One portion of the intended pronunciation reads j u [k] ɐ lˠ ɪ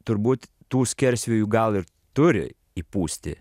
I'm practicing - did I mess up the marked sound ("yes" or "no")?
yes